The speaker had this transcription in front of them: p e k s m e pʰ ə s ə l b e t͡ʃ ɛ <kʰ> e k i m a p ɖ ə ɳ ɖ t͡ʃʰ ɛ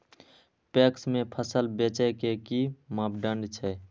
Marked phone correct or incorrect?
incorrect